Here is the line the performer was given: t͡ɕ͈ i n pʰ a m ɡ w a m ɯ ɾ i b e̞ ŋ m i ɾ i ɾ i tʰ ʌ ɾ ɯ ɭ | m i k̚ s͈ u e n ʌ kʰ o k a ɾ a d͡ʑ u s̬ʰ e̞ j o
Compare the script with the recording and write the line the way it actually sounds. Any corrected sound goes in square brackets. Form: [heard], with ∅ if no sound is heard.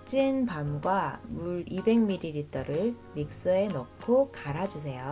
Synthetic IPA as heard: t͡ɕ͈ i n [p] a m ɡ w a m [u] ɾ i b e̞ ŋ m i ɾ i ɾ i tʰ ʌ ɾ ɯ ɭ | m i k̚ s͈ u e n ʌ kʰ o k a ɾ a d͡ʑ u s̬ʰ e̞ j o